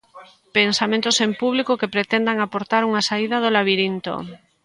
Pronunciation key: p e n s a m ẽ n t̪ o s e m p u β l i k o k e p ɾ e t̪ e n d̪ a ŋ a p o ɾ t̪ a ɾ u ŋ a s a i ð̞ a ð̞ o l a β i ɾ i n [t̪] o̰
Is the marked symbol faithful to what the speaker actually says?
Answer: yes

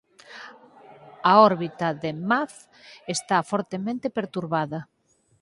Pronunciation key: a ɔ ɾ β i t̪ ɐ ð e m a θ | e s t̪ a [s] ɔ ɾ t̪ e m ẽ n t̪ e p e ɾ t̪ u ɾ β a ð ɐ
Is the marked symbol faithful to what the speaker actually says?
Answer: no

